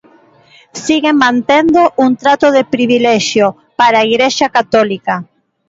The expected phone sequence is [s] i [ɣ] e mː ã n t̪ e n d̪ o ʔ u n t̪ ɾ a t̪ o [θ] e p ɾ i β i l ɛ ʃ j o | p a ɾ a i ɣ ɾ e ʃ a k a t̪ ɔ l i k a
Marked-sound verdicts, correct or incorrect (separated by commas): correct, correct, incorrect